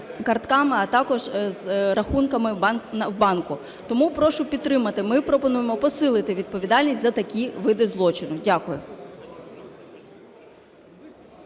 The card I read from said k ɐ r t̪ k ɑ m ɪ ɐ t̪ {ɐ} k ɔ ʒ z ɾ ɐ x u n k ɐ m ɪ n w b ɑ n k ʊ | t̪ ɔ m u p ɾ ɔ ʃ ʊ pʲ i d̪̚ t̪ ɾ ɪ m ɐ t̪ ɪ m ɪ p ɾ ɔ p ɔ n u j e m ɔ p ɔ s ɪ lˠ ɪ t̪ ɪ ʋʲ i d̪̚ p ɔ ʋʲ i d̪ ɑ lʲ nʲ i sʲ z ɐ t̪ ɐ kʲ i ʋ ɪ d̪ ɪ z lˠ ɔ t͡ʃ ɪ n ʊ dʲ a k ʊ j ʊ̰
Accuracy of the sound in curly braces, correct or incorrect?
incorrect